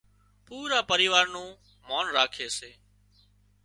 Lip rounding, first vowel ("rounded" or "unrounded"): rounded